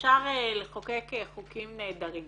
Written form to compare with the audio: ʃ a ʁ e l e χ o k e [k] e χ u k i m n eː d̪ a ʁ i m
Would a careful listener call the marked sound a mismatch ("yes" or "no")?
no